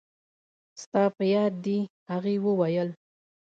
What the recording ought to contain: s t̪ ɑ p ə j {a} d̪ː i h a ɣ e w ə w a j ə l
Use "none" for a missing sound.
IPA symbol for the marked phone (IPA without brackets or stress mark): ɑ